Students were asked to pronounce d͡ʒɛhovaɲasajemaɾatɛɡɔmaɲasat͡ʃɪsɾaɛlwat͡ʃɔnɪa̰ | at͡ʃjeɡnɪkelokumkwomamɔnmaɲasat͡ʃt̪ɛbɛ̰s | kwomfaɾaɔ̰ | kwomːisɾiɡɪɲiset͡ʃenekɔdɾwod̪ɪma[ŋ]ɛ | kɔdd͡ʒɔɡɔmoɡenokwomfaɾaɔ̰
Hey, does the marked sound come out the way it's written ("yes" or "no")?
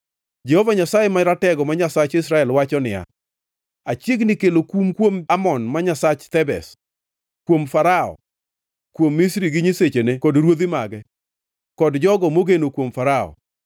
no